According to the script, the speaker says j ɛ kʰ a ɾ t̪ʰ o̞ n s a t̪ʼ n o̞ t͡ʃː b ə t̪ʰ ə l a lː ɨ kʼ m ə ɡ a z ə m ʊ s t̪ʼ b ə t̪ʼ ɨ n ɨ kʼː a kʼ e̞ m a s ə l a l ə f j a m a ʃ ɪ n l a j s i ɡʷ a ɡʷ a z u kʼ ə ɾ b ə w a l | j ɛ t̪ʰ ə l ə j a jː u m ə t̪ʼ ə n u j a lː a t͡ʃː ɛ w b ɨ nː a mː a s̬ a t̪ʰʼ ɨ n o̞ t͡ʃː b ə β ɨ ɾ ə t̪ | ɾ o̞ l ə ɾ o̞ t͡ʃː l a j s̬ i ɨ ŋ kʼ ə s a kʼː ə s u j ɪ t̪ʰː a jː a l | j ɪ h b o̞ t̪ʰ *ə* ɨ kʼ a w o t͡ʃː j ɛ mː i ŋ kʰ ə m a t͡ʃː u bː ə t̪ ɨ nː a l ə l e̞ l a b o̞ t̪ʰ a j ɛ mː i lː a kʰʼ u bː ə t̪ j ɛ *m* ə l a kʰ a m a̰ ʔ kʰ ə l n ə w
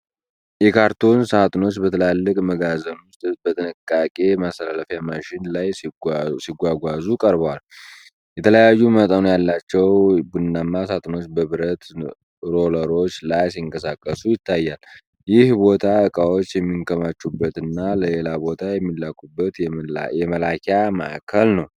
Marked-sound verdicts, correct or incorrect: incorrect: a, correct

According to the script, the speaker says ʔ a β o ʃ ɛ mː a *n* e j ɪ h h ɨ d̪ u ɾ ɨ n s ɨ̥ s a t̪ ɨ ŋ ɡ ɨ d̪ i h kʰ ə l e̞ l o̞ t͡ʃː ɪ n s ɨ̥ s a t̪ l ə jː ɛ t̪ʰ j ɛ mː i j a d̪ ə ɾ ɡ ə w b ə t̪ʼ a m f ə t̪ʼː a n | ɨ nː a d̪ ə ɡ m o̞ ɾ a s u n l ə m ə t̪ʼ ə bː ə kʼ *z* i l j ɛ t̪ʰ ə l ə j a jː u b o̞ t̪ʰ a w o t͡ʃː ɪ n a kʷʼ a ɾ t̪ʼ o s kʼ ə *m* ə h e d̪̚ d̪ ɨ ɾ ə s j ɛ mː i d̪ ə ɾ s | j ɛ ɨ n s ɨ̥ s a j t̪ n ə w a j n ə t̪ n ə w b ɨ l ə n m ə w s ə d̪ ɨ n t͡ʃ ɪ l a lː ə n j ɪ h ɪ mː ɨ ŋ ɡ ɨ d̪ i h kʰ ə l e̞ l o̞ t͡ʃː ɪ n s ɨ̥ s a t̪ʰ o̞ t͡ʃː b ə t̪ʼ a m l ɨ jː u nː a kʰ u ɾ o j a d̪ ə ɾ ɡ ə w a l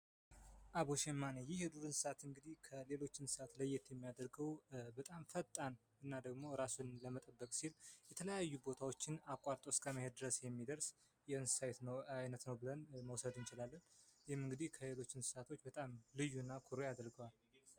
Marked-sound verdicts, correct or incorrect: correct, incorrect: s, correct

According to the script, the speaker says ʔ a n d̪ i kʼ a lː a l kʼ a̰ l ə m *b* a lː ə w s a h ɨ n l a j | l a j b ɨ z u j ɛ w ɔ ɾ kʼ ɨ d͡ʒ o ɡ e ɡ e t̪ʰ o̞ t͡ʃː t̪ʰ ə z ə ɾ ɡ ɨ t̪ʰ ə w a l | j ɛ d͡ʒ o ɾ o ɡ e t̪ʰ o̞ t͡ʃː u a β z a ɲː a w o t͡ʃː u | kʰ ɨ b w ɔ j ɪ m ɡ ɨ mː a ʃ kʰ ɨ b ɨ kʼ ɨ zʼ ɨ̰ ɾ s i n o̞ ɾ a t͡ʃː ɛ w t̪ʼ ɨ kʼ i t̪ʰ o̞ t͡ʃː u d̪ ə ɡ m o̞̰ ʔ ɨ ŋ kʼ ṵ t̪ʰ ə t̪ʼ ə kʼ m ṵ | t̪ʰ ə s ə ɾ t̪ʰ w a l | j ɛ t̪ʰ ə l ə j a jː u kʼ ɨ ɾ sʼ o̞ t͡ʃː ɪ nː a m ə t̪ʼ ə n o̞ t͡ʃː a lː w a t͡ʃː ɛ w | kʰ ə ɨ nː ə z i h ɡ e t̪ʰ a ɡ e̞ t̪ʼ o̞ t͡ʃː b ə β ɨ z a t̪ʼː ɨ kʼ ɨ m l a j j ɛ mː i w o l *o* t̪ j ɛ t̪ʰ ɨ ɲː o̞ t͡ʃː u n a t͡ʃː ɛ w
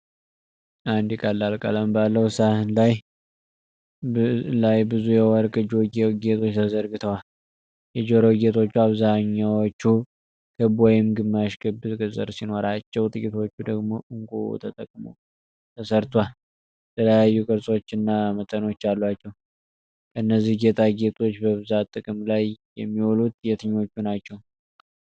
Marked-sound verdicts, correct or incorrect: correct, incorrect: u

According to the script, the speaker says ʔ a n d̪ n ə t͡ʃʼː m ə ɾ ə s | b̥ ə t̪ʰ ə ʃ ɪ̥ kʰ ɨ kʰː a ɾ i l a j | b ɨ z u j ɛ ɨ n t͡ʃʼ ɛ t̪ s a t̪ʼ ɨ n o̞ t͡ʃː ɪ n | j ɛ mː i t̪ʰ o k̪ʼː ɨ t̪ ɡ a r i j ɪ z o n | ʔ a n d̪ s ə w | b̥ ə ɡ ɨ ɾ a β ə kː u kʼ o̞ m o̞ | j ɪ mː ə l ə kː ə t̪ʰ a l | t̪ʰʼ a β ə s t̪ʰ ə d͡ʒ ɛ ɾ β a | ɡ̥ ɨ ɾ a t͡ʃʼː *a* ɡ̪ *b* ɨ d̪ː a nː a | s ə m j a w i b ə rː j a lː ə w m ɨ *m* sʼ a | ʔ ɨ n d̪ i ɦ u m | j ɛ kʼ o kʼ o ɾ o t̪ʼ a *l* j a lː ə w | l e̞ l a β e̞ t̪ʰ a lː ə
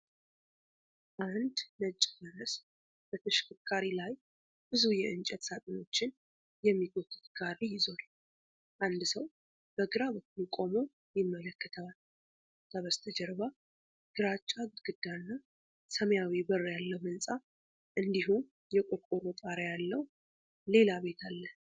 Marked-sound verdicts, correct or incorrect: correct, incorrect: ɡ, incorrect: n, incorrect: ɾ

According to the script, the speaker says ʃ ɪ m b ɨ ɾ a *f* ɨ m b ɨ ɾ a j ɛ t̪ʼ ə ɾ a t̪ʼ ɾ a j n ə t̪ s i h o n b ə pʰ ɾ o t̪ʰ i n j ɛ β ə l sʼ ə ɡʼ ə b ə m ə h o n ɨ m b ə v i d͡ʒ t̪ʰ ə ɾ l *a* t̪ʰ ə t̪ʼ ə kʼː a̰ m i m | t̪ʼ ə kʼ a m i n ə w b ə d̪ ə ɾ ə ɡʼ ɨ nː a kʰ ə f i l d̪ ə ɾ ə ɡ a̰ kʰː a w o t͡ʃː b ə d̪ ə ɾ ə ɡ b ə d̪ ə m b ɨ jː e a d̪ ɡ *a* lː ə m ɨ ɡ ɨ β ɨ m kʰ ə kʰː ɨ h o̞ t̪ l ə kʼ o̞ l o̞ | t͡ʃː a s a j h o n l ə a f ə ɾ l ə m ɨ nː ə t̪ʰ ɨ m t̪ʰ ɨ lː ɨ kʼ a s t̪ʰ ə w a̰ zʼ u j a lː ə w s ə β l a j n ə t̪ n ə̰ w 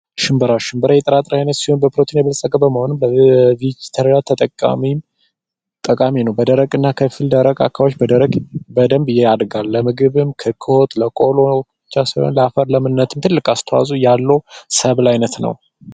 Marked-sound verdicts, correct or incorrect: incorrect: ʃ, correct, correct

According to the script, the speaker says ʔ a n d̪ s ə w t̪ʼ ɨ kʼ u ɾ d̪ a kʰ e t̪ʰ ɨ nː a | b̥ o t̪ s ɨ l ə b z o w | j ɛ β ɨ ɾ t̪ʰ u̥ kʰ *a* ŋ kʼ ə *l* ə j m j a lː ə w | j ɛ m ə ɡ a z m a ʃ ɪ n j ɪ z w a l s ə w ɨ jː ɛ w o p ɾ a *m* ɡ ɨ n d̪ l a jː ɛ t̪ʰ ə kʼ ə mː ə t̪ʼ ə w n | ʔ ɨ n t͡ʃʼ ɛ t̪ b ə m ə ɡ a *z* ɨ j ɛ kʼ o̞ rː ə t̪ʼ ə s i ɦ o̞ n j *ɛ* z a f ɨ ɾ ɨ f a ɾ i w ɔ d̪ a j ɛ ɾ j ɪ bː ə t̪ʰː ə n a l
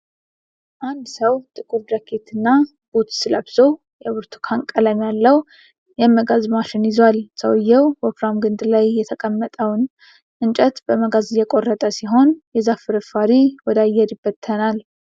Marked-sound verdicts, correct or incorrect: correct, correct, correct, correct, correct

